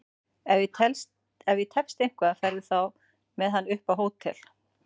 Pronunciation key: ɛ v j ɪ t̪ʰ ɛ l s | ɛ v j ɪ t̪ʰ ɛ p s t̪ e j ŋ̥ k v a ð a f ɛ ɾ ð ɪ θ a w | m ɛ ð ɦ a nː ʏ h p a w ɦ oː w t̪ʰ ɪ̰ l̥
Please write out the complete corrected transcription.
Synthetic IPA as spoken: ɛ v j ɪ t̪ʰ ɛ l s | ɛ v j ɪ t̪ʰ ɛ p s t̪ e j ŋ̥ k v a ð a f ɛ ɾ ð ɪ θ a w | m ɛ ð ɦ a nː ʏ h p a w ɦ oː w t̪ʰ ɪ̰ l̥

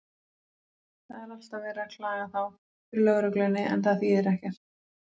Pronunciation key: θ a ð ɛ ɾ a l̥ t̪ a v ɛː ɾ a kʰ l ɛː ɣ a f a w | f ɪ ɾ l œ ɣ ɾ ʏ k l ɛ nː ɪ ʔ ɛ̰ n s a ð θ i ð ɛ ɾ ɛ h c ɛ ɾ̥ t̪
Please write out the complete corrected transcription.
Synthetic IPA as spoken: θ a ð ɛ ɾ a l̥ t̪ a v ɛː ɾ a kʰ l aː ɣ a θ a w | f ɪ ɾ l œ ɣ ɾ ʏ k l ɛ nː ɪ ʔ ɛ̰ n θ a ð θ i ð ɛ ɾ ɛ h c ɛ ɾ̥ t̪

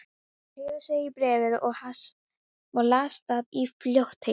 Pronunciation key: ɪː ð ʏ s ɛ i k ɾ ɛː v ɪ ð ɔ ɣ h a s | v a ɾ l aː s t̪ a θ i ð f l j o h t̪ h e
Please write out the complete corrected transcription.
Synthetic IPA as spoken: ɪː ð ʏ s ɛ i p ɾ ɛː v ɪ ð ɔ ɣ h a s | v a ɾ l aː s t̪ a ð i f l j o h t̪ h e

